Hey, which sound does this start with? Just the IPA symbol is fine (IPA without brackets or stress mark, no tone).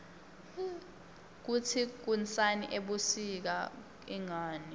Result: k̬